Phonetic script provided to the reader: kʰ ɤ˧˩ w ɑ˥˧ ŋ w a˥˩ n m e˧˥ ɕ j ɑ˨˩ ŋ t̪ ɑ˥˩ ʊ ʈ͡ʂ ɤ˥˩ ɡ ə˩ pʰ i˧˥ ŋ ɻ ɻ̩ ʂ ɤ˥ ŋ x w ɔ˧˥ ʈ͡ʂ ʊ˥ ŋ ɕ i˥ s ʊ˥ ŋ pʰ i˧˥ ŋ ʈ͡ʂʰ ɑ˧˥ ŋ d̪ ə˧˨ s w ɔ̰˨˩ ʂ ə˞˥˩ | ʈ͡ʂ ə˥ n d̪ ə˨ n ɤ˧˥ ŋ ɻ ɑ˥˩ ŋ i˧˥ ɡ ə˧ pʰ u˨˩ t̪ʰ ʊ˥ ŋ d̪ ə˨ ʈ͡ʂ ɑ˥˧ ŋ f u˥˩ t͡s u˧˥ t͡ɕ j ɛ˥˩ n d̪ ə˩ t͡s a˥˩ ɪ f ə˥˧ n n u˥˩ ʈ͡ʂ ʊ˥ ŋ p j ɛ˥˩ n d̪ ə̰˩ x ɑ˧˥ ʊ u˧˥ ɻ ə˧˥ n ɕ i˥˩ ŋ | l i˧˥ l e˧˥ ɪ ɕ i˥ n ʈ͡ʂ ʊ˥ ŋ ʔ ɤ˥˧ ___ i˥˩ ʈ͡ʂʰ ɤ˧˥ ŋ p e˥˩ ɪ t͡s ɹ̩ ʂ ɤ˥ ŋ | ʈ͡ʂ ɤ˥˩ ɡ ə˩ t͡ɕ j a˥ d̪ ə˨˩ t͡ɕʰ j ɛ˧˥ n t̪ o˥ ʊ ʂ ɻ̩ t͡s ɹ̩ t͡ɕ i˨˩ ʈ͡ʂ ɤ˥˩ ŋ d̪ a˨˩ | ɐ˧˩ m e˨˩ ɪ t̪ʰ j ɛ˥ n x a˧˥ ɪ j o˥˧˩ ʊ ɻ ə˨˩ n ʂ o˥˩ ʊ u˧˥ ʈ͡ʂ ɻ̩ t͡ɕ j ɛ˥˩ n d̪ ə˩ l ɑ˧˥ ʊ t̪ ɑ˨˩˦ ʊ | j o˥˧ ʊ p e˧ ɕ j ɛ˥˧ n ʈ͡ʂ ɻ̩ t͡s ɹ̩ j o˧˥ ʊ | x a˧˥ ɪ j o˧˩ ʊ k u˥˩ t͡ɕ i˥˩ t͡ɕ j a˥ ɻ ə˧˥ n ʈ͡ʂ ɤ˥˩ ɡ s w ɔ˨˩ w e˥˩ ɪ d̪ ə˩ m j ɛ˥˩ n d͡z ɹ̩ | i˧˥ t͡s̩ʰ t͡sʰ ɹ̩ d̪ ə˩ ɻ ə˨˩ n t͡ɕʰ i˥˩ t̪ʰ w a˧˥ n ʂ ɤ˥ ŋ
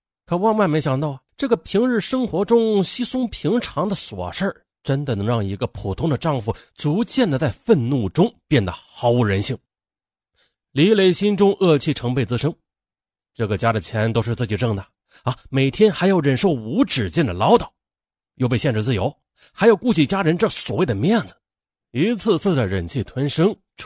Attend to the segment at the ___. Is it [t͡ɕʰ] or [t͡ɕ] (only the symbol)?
t͡ɕʰ